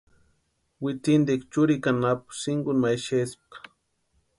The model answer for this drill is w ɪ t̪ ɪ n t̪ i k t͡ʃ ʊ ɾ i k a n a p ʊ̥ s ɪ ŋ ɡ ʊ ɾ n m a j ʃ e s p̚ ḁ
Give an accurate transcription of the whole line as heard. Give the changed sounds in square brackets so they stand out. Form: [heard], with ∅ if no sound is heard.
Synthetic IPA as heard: w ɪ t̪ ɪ n [d̪] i k t͡ʃ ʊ ɾ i k a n a p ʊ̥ s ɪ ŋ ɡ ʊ [∅] n m a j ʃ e s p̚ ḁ